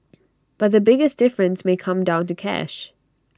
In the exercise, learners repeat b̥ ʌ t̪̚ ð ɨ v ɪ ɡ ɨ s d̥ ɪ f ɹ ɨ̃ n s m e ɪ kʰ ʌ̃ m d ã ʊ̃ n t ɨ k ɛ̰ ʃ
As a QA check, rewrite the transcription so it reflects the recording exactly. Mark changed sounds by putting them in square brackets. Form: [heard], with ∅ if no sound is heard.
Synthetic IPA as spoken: b̥ ʌ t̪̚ ð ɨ [b] ɪ ɡ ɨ s d̥ ɪ f ɹ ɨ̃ n s m e ɪ kʰ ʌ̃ m d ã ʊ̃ n t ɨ [kʰ] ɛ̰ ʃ